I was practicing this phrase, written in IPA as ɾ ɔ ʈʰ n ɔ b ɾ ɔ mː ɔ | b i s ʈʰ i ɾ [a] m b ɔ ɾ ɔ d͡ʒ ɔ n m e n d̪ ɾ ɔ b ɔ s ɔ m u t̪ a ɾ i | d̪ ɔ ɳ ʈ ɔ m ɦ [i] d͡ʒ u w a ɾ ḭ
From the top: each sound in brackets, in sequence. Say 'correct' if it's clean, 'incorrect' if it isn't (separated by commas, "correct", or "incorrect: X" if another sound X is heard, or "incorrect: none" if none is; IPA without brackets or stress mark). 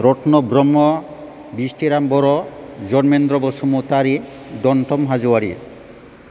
correct, incorrect: a